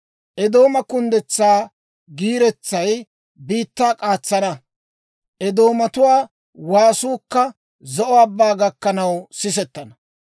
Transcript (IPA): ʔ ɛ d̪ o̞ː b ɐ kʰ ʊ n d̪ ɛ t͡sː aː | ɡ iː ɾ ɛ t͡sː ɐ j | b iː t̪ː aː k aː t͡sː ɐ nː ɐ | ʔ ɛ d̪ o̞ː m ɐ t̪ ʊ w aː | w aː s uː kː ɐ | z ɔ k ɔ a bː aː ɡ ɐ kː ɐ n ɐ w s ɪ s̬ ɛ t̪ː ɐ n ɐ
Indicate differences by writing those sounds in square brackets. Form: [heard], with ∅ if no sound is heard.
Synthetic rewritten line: ʔ ɛ d̪ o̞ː [m] ɐ [k] ʊ n d̪ ɛ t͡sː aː | ɡ iː ɾ ɛ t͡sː ɐ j | b iː t̪ː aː [kʼ] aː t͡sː ɐ [n] ɐ | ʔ ɛ d̪ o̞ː m ɐ t̪ ʊ w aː | w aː s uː kː ɐ | z ɔ [ʔ] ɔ a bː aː ɡ ɐ kː ɐ n ɐ w s ɪ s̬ ɛ t̪ː ɐ n ɐ